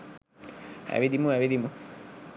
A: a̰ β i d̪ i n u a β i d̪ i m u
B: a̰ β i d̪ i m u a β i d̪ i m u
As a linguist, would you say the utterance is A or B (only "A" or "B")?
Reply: B